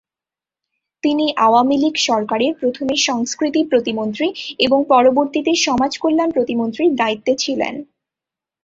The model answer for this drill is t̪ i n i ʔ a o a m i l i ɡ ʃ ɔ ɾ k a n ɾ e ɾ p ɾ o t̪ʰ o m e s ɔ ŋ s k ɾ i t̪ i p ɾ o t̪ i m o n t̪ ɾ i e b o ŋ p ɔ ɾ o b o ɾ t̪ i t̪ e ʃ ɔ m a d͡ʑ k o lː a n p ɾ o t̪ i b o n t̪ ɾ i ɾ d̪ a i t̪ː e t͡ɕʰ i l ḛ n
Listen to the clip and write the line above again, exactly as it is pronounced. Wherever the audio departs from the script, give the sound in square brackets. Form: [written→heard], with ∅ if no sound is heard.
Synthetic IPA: t̪ i n i ʔ a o a m i l i ɡ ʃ ɔ ɾ k a [n→∅] ɾ e ɾ p ɾ o t̪ʰ o m e [s→ʃ] ɔ ŋ s k ɾ i t̪ i p ɾ o t̪ i m o n t̪ ɾ i e b o ŋ p ɔ ɾ o b o ɾ t̪ i t̪ e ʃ ɔ m a d͡ʑ k o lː a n p ɾ o t̪ i [b→m] o n t̪ ɾ i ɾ d̪ a i t̪ː e t͡ɕʰ i l ḛ n